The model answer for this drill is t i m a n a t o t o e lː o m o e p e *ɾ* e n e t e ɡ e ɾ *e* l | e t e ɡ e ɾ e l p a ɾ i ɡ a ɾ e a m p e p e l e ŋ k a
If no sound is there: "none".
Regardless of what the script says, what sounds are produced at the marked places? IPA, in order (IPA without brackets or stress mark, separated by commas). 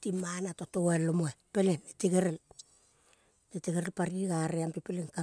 l, e